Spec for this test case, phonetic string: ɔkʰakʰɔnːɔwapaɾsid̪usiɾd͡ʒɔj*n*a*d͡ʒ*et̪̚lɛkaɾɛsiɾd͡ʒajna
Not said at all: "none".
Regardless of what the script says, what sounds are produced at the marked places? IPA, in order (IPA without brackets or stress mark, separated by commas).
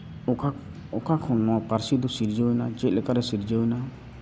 n, d͡ʒ